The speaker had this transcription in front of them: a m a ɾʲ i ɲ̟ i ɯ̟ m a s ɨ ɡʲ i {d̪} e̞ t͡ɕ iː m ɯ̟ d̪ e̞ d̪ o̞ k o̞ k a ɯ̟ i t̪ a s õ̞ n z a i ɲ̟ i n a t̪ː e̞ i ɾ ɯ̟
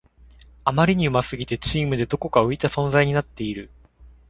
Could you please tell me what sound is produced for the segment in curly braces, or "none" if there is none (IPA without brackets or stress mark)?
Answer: t̪